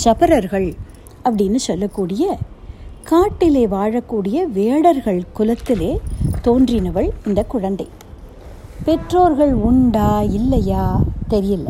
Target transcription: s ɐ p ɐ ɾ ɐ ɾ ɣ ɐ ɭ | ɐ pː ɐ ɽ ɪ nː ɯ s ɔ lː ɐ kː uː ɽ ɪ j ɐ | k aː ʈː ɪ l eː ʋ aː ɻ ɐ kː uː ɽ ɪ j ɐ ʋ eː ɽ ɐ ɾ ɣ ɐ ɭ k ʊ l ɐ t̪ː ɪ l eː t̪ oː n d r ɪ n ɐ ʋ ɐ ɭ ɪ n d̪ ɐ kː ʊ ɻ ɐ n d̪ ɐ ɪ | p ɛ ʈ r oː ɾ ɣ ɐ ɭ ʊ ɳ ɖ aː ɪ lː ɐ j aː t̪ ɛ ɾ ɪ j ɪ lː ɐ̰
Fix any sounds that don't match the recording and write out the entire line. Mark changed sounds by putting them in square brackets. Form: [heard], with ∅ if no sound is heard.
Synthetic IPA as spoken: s ɐ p ɐ ɾ ɐ ɾ ɣ ɐ ɭ | ɐ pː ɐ ɽ ɪ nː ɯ s ɔ lː ɐ kː uː ɽ ɪ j ɐ | k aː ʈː ɪ l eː ʋ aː ɻ ɐ kː uː ɽ ɪ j ɐ ʋ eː ɽ ɐ ɾ ɣ ɐ ɭ k ʊ l ɐ t̪ː ɪ l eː t̪ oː n d r ɪ n ɐ ʋ ɐ ɭ ɪ n d̪ ɐ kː ʊ ɻ ɐ n d̪ ɐ ɪ | p ɛ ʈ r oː ɾ ɣ ɐ ɭ ʊ ɳ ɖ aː ɪ lː ɐ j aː t̪ ɛ ɾ ɪ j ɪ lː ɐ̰